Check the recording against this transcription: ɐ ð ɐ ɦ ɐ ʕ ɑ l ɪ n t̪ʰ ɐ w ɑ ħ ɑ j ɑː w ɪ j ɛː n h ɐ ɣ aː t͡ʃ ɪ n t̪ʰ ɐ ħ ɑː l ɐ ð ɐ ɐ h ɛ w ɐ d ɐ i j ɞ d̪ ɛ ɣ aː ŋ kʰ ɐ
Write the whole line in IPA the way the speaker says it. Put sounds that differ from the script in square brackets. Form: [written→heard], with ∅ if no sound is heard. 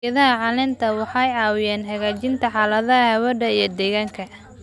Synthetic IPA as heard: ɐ ð ɐ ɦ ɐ ʕ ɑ l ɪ n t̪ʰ ɐ w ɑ ħ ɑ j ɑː w ɪ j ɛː n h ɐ ɣ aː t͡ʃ ɪ n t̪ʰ ɐ ħ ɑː l ɐ ð ɐ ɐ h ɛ w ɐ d ɐ i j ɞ d̪ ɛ ɣ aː ŋ kʰ ɐ